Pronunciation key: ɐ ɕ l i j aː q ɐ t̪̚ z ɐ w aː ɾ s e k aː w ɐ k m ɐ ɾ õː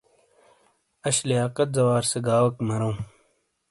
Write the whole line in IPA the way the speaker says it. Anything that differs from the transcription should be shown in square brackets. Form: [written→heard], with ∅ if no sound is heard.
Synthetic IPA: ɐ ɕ l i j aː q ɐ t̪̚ z ɐ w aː ɾ s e [k→ɡ] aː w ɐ k m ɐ ɾ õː